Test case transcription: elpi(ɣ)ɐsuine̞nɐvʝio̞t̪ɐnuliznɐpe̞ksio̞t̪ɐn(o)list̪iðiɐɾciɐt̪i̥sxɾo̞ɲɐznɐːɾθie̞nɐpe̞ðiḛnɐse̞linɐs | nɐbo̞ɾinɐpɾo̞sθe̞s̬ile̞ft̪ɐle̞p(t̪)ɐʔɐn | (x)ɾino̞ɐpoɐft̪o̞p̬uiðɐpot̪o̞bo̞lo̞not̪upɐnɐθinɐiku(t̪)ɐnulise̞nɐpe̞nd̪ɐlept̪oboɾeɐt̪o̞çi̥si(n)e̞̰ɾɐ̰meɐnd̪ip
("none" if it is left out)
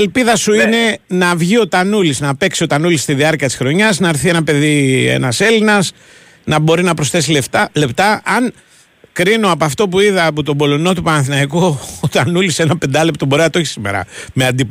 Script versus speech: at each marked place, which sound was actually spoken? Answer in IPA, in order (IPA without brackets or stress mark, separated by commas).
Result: ð, u, t̪, k, t̪, m